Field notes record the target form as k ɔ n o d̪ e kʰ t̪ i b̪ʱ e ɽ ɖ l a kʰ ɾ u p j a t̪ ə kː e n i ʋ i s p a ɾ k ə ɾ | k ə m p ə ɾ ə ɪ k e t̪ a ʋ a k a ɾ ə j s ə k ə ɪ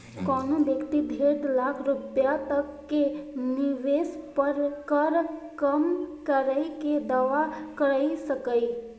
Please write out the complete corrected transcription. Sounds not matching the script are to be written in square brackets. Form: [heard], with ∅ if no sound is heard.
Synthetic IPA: k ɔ n o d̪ e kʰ t̪ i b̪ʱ e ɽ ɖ l a kʰ ɾ u p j a t̪ ə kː e n i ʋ [e] s p [ə] ɾ k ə ɾ | k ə m [k] ə ɾ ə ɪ k e [d̪] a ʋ a k [ə] ɾ ə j s ə k ə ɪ